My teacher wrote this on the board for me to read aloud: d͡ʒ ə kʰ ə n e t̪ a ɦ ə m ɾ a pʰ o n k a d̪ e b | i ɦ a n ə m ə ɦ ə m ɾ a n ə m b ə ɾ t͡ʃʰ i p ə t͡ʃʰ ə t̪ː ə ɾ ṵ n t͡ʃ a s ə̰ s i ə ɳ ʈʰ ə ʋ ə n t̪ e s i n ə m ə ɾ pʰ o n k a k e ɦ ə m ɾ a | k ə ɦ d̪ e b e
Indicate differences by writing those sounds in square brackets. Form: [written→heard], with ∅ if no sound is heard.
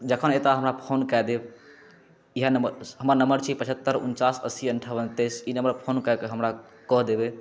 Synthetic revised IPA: d͡ʒ ə kʰ ə n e t̪ a ɦ ə m ɾ a pʰ o n k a d̪ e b | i ɦ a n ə m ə ɦ ə m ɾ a n ə m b ə ɾ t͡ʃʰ i p ə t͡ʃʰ ə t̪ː ə ɾ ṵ n t͡ʃ a s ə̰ s i ə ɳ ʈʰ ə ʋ ə n t̪ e s i n ə m ə ɾ pʰ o n k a k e ɦ ə m ɾ a | k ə ɦ d̪ e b e